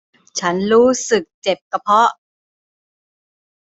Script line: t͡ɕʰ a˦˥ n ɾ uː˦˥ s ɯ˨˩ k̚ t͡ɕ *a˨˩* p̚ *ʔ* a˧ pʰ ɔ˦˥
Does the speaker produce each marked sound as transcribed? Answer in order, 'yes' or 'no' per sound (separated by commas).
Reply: no, no